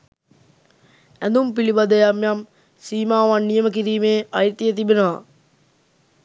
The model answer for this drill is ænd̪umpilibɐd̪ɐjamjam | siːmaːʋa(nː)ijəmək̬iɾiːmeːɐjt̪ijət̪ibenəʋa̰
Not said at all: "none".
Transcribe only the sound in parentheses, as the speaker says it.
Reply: nː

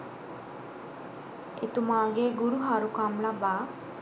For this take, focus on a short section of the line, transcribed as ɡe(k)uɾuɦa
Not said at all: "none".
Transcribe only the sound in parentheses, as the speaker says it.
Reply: ɡ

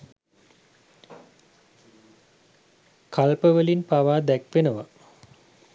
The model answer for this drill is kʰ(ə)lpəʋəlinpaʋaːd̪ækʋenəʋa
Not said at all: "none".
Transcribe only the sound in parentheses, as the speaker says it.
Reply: a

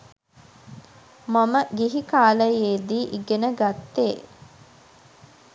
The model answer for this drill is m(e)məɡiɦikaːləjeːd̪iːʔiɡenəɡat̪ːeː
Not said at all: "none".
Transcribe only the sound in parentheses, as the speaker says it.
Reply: a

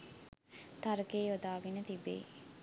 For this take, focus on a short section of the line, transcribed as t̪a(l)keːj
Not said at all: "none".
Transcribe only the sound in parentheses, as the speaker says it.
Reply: ɾ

